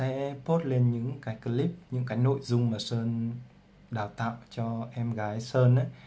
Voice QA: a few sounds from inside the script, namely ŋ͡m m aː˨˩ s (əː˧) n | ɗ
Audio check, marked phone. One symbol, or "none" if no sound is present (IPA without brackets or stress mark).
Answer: əː˧